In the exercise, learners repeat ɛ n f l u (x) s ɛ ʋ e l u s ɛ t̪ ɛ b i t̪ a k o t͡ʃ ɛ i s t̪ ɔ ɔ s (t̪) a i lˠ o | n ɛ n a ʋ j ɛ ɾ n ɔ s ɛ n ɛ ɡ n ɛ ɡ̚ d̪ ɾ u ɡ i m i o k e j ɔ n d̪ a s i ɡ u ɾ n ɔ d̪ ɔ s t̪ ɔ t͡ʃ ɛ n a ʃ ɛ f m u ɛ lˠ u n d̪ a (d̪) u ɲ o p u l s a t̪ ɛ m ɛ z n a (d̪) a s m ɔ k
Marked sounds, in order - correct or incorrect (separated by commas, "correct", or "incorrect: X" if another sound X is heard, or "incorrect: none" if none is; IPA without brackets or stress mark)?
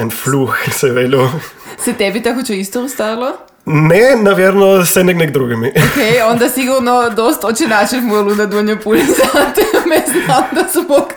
correct, correct, correct, correct